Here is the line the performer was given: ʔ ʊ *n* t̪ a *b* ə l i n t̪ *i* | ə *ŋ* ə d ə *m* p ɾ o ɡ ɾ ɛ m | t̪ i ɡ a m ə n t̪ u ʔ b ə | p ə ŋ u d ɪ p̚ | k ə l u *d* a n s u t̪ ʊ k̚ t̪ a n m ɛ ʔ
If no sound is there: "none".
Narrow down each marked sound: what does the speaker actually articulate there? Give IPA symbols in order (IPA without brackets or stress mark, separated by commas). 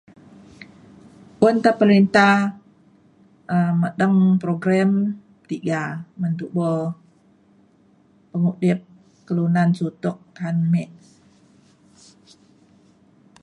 n, p, a, m, ŋ, n